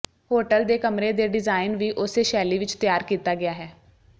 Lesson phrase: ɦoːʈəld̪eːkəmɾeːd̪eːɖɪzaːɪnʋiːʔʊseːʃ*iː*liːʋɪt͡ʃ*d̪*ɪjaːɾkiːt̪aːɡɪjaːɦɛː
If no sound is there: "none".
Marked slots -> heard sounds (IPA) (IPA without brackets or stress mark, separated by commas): ɛː, t̪